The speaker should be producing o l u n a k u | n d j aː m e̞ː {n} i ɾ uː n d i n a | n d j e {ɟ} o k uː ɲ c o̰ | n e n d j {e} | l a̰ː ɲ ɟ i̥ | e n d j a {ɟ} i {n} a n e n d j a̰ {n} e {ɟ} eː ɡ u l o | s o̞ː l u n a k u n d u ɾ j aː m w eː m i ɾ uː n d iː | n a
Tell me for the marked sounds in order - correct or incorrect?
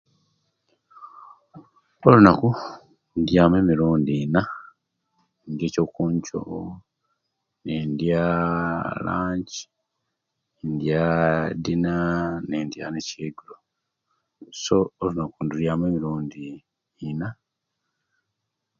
incorrect, incorrect, incorrect, incorrect, correct, correct, incorrect

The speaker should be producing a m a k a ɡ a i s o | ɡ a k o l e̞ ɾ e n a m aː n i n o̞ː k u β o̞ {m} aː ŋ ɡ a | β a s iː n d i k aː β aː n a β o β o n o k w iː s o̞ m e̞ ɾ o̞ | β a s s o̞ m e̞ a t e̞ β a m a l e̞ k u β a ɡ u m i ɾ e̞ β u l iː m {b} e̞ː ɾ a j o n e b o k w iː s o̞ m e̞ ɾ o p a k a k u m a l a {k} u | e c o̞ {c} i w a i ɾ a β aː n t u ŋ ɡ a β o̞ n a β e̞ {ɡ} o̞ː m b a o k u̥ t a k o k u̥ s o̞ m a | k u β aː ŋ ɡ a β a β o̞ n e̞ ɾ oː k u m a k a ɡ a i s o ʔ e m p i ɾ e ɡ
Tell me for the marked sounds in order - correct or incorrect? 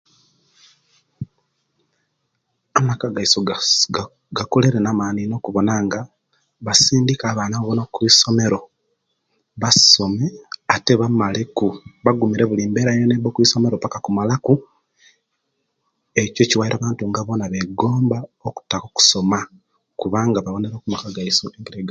incorrect, correct, correct, correct, correct

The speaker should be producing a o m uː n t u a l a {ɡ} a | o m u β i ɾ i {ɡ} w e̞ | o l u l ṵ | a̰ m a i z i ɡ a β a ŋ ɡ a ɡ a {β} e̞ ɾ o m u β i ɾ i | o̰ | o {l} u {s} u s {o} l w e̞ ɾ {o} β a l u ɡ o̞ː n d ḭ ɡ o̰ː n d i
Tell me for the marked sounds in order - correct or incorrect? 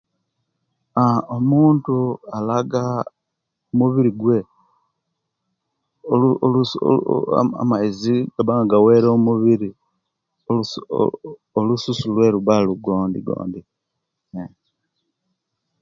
correct, correct, incorrect, correct, correct, incorrect, incorrect

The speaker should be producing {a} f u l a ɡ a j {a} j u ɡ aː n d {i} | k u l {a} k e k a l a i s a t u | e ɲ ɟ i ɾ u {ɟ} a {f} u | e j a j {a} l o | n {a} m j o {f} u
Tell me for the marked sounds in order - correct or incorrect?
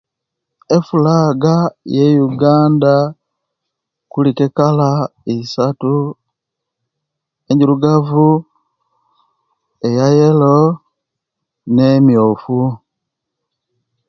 incorrect, incorrect, incorrect, incorrect, incorrect, incorrect, incorrect, incorrect, correct

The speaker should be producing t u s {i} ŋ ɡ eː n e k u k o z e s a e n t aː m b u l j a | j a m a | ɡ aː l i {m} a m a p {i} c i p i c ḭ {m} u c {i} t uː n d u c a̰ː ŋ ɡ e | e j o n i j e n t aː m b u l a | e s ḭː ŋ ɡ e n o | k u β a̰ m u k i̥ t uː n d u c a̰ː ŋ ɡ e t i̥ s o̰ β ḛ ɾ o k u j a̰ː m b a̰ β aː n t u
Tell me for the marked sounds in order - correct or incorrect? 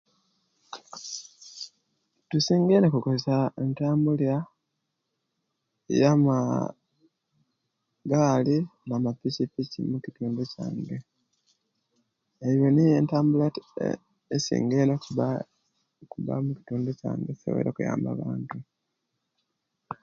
incorrect, incorrect, correct, correct, correct

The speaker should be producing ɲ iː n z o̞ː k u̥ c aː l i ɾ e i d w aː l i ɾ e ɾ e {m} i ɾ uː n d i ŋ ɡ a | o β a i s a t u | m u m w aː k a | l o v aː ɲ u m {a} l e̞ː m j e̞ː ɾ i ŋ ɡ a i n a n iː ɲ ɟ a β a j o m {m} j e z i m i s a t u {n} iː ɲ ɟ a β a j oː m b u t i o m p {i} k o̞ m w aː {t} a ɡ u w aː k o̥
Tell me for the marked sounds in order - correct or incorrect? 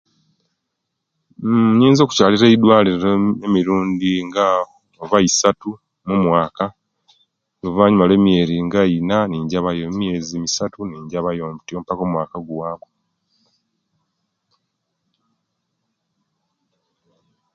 correct, correct, correct, correct, incorrect, incorrect

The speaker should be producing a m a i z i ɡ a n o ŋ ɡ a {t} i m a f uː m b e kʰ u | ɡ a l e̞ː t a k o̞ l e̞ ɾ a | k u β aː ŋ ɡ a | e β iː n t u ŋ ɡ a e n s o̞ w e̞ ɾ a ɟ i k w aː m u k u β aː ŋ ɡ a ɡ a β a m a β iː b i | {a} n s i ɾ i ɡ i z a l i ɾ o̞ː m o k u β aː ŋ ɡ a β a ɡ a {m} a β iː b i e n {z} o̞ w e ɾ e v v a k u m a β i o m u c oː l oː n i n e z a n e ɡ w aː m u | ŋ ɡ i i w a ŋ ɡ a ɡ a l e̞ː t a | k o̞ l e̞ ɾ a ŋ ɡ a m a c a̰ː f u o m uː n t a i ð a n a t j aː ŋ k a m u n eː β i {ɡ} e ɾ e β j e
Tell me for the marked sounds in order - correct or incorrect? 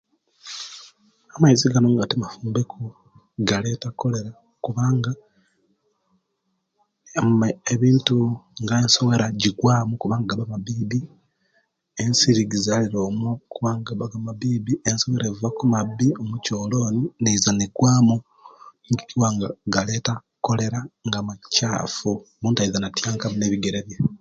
correct, incorrect, correct, incorrect, correct

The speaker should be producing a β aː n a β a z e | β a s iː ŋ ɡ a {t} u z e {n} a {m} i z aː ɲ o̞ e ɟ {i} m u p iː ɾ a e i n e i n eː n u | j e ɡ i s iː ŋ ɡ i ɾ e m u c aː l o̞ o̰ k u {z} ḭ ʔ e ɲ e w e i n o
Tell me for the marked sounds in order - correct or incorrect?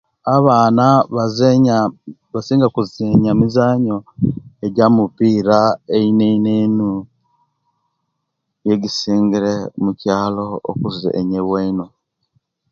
incorrect, incorrect, correct, incorrect, correct

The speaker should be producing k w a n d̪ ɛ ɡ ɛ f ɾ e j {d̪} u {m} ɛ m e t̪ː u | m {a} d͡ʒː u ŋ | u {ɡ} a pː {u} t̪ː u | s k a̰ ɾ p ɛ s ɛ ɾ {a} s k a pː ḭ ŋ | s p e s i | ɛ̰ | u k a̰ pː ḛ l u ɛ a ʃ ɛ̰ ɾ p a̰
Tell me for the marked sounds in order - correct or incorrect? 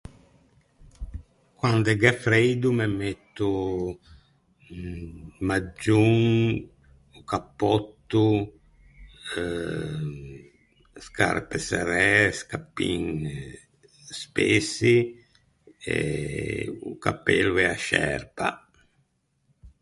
correct, correct, correct, incorrect, incorrect, incorrect

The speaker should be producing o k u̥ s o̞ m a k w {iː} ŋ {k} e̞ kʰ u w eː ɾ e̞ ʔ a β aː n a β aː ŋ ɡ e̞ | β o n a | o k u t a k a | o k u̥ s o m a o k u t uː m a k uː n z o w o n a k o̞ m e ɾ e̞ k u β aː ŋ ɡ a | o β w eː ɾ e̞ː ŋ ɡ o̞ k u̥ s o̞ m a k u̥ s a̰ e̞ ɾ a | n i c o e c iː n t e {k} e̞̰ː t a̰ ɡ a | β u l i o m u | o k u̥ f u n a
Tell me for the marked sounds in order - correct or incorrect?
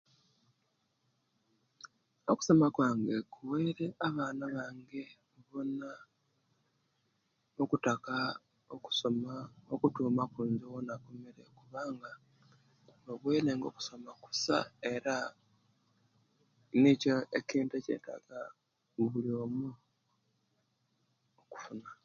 incorrect, incorrect, incorrect

